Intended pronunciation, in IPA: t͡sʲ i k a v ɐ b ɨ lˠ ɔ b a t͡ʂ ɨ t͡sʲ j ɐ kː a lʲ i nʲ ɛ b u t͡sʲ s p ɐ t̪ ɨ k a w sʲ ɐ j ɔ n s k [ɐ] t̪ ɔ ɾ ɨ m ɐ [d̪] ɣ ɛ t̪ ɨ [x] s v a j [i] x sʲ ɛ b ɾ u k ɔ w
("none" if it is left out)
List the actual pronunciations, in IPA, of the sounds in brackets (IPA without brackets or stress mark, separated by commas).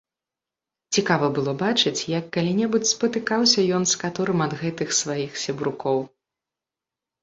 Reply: a, d̪, x, i